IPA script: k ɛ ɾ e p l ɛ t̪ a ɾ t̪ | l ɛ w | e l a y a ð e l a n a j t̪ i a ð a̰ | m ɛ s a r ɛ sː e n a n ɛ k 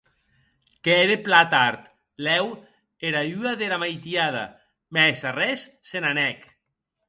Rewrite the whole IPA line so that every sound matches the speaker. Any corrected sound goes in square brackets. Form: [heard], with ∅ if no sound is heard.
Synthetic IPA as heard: k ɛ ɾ e p l [a] t̪ a ɾ t̪ | l ɛ w | e [ɾ] a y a ð e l a [m] a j t̪ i a ð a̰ | m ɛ s a r ɛ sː e n a n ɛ k